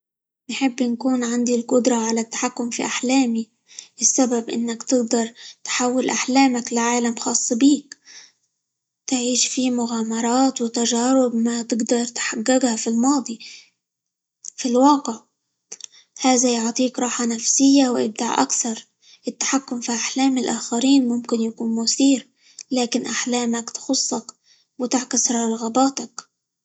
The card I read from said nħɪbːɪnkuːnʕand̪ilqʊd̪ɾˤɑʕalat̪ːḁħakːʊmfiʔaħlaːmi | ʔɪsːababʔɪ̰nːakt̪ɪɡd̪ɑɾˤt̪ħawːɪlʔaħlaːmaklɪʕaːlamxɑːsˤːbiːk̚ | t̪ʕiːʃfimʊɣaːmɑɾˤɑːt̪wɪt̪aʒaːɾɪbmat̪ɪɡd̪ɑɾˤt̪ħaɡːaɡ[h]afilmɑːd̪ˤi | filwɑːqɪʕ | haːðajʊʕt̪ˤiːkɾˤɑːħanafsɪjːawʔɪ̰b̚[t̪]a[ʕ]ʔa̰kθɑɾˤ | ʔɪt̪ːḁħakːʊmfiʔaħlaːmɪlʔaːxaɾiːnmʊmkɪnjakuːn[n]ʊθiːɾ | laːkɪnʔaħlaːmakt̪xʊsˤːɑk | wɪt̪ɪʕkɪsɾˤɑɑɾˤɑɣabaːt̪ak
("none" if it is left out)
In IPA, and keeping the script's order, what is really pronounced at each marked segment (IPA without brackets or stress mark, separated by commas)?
h, d̪, ʕ, m